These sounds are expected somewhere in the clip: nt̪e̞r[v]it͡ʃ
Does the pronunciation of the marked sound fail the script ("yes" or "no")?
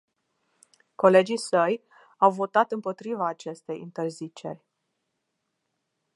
yes